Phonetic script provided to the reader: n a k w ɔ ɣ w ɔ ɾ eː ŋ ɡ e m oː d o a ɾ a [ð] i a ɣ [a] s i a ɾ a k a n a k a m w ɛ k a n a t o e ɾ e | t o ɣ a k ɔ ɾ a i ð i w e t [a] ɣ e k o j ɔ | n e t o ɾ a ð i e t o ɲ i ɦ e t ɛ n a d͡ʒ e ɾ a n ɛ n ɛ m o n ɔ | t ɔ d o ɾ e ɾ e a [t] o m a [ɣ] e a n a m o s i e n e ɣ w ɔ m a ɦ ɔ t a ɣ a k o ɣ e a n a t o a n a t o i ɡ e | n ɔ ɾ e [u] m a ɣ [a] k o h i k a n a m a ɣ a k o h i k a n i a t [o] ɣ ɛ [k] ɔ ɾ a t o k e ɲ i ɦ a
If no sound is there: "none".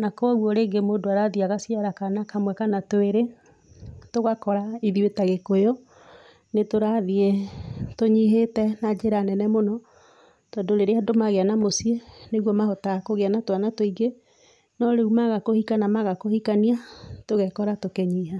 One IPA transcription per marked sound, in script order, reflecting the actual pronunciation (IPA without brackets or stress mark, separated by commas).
ð, a, a, d, ɣ, u, a, o, k